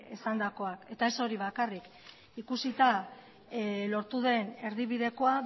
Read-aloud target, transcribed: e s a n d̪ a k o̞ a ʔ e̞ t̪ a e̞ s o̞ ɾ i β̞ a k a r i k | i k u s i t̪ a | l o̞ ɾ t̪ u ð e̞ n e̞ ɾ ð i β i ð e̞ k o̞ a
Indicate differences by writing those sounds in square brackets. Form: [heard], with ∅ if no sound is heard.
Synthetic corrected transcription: e s a n d̪ a k o̞ a [k] e̞ t̪ a e̞ s o̞ ɾ i β̞ a k a r i k | i k u s i t̪ a | l o̞ ɾ t̪ u ð e̞ n e̞ ɾ ð i β i ð e̞ k o̞ a